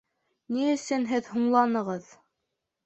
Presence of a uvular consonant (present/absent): present